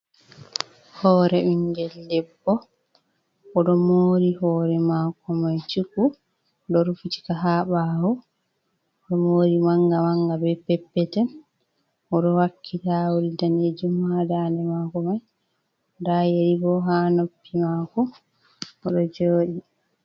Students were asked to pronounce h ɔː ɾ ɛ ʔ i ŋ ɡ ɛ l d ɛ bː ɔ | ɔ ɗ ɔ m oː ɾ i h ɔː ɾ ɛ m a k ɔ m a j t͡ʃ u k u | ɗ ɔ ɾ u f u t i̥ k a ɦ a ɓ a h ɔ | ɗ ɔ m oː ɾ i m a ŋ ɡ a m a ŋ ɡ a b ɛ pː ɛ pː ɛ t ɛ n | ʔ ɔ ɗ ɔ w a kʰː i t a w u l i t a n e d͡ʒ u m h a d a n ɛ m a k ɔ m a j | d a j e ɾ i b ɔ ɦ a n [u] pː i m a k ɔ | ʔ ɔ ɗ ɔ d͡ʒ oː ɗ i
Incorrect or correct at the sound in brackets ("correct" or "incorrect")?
incorrect